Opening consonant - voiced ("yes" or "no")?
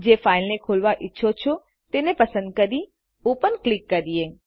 yes